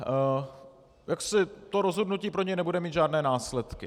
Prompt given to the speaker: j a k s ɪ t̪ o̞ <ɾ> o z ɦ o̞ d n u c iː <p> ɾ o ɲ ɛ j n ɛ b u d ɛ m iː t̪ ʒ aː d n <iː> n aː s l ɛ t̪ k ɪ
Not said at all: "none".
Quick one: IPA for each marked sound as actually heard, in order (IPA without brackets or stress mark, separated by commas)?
ɾ, p, ɛː